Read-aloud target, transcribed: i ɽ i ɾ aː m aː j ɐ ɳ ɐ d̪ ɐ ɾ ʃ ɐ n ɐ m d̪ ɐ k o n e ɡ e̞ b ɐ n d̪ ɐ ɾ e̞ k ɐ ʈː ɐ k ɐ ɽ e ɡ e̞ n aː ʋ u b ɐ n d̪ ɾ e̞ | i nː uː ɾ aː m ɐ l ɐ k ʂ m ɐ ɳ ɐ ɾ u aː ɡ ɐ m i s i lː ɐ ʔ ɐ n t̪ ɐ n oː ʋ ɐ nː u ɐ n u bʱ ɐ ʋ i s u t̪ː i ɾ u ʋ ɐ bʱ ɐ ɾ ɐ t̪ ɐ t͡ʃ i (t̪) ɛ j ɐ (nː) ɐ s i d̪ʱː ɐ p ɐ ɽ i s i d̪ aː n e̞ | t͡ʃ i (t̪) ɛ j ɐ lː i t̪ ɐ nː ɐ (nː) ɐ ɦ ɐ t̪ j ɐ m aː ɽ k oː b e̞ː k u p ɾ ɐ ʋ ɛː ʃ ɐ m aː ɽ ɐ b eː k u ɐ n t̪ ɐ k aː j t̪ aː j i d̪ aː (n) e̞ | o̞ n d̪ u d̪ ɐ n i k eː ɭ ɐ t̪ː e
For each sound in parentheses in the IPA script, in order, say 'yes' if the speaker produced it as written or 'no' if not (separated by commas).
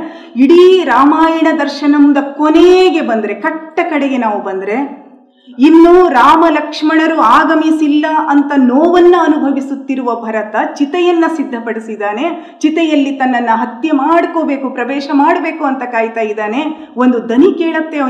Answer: yes, yes, yes, yes, yes